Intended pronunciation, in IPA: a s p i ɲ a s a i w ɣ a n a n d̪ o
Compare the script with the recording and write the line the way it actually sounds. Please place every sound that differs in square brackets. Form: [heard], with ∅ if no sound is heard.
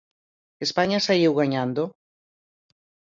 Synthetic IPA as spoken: [e] s p [a] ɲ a s a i w ɣ a [ɲ] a n d̪ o